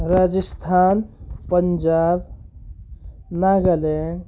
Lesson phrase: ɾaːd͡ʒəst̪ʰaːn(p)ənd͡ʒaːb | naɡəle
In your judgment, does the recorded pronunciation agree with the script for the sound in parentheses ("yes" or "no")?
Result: yes